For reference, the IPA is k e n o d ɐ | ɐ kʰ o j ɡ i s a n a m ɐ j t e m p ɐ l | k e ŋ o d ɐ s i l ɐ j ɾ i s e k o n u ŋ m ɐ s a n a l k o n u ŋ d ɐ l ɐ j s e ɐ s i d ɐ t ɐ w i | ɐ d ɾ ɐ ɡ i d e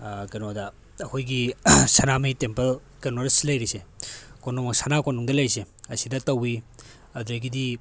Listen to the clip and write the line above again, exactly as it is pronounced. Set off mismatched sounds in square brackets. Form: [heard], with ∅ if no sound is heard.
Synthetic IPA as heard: k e n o d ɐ | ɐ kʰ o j ɡ i s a n a m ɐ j t e m p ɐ l | k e [n] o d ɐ s i l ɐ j ɾ i s e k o n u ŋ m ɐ s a n a [∅] k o n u ŋ d ɐ l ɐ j s e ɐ s i d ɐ t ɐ w i | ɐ d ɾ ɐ ɡ i d [i]